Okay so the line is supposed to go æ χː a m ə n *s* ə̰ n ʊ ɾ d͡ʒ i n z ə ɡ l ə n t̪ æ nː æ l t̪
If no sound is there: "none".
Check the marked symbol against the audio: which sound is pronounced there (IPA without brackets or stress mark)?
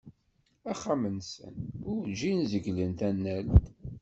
s